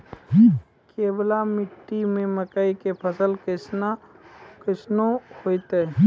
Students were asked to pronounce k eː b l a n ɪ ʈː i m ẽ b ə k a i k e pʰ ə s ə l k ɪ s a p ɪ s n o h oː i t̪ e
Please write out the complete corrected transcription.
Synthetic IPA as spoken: k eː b l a m ɪ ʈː i m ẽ m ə k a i k e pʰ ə s ə l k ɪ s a k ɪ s n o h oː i t̪ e